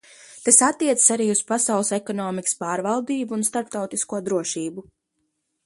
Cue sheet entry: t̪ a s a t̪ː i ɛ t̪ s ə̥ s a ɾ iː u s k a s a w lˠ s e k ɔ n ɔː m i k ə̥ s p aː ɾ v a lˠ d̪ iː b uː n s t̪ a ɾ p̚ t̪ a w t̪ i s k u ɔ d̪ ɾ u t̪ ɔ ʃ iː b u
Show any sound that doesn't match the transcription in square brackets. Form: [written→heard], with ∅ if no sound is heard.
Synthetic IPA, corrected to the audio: t̪ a s a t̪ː i ɛ t̪ s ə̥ s a ɾ iː u s [k→p] a s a w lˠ s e k ɔ n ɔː m i k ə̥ s p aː ɾ v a lˠ d̪ iː b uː n s t̪ a ɾ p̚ t̪ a w t̪ i s k u ɔ d̪ ɾ u [t̪→∅] ɔ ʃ iː b u